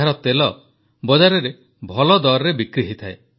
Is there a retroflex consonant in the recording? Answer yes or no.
no